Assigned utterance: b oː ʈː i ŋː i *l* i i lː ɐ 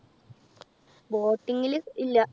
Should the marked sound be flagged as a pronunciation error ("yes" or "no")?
no